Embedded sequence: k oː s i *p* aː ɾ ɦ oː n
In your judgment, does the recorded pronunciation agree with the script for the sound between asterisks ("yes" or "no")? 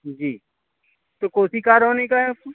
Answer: no